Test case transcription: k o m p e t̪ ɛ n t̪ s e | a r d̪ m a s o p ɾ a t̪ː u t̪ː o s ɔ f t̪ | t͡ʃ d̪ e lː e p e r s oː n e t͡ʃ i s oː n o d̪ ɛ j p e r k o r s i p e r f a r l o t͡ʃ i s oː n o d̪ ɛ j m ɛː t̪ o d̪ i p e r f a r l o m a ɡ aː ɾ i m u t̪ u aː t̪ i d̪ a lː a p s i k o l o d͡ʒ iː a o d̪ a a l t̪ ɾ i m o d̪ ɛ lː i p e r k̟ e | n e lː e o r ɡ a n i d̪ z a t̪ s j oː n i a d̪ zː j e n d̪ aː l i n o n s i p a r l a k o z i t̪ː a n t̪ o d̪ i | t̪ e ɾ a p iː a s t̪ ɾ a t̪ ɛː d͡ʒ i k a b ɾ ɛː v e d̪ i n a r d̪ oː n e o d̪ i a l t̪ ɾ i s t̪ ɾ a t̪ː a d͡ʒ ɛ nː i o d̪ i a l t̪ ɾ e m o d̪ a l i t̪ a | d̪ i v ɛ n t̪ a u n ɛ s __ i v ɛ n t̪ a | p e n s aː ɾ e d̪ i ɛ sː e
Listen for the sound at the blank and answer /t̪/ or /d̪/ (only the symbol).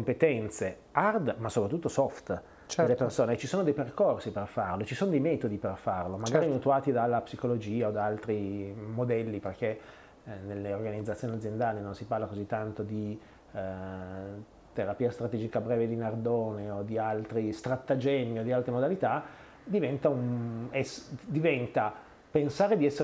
d̪